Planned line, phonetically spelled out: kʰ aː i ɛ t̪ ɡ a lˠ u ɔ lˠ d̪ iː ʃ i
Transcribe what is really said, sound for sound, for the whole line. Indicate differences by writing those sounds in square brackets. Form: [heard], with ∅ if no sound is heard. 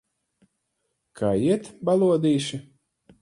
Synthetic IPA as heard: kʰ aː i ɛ t̪ [b] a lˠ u ɔ [∅] d̪ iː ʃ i